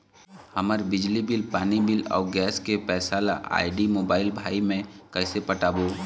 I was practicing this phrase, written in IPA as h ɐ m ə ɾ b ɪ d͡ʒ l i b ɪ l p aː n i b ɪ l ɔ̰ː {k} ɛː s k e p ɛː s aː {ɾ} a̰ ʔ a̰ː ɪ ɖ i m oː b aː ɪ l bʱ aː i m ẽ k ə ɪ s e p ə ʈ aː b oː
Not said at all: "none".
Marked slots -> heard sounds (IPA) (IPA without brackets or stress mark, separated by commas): ɡ, l